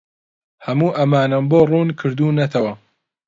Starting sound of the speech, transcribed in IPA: h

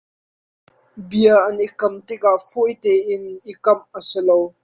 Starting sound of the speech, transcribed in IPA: b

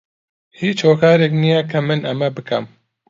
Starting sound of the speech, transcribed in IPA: h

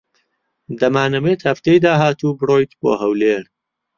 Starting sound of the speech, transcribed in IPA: d̪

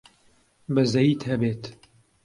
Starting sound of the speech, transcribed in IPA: b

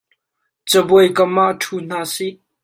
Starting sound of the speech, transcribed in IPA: t͡s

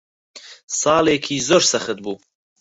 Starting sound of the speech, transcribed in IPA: s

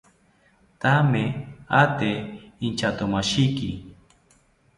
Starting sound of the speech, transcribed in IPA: t̪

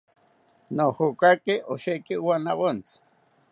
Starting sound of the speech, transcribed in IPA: n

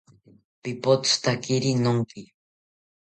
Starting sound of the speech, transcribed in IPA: p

